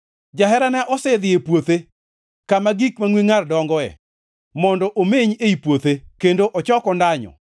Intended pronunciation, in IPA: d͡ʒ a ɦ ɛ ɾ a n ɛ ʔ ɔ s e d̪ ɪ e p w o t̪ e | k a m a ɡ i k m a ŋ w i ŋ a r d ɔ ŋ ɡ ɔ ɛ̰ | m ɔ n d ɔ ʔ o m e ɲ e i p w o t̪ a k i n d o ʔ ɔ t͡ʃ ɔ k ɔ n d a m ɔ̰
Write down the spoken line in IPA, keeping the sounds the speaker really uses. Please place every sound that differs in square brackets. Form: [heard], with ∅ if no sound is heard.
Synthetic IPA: d͡ʒ a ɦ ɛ ɾ a n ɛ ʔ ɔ s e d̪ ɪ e p w o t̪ e | k a m a ɡ i k m a ŋ w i ŋ a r d ɔ ŋ ɡ ɔ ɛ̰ | m ɔ n d ɔ ʔ o m e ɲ e i p w o t̪ [e] k [e] n d o ʔ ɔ t͡ʃ ɔ k ɔ n d a [ɲ] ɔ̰